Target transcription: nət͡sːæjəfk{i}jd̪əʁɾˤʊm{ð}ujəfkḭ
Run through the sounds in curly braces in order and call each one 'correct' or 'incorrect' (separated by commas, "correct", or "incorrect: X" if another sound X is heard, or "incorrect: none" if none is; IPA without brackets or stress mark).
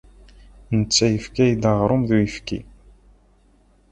incorrect: æ, correct